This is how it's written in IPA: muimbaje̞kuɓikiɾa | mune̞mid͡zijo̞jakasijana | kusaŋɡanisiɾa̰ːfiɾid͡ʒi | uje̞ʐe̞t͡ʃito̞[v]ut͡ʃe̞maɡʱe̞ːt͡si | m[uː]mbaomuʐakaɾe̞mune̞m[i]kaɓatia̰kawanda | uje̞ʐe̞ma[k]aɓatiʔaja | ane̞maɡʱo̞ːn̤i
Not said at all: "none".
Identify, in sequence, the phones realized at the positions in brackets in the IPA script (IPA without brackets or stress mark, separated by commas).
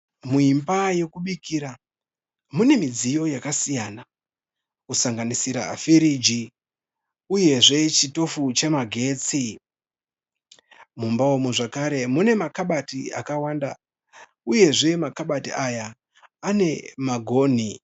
f, u, a, k